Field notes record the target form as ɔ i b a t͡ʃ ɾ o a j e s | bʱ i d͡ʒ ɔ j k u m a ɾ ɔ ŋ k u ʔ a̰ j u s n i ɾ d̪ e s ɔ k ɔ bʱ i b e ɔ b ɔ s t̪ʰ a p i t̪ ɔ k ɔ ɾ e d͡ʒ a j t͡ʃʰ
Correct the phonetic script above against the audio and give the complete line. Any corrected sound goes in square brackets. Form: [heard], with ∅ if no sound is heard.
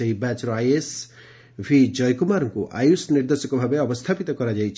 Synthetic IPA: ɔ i b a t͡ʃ ɾ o a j e s | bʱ i d͡ʒ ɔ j k u m a ɾ ɔ ŋ k u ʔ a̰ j u s n i ɾ d̪ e s ɔ k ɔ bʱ [a] b e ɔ b ɔ s t̪ʰ a p i t̪ ɔ k ɔ ɾ [a] d͡ʒ a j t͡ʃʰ